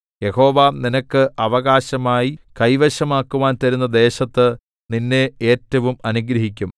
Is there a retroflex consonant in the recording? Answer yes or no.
no